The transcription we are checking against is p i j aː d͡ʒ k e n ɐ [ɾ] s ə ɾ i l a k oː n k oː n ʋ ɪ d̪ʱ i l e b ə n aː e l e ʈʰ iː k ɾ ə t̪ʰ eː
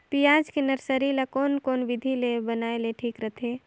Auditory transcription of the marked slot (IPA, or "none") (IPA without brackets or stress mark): ɾ